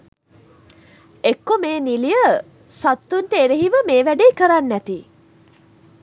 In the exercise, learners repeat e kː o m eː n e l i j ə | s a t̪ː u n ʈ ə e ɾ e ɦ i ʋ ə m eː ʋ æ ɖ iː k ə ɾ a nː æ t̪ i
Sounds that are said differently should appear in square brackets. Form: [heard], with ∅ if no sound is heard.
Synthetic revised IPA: e kː o m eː n [i] l i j ə | s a t̪ː u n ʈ ə e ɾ e ɦ i ʋ ə m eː ʋ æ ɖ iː k ə ɾ a nː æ t̪ i